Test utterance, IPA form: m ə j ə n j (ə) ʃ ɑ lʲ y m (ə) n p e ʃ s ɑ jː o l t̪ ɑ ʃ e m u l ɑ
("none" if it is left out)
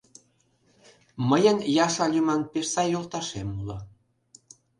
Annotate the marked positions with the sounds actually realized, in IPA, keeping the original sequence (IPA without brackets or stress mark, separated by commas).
ɑ, ɑ